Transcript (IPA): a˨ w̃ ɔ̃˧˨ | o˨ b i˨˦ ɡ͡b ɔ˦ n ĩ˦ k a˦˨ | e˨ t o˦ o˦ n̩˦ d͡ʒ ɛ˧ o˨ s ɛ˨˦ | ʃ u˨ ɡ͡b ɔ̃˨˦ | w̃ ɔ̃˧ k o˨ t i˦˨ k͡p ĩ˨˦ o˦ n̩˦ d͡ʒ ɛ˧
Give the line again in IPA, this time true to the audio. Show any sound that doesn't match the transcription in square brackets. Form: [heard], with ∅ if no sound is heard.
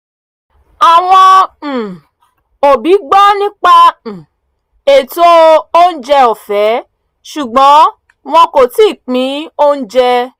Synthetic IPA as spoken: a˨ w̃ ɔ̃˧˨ | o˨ b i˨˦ ɡ͡b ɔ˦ n ĩ˦ [k͡p] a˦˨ | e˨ t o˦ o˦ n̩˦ d͡ʒ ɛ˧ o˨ [f] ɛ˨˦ | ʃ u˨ ɡ͡b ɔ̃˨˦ | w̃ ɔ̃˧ k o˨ t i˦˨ k͡p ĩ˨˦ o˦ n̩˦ d͡ʒ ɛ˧